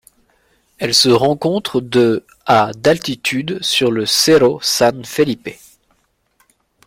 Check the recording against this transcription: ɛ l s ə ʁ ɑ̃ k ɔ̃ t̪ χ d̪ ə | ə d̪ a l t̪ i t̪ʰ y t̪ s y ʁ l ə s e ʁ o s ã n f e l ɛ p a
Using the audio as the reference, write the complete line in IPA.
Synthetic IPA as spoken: ɛ l s ə ʁ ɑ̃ k ɔ̃ t̪ χ d̪ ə | a d̪ a l t̪ i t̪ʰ y d̪ s y ʁ l ə s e ʁ o s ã n f e l i p e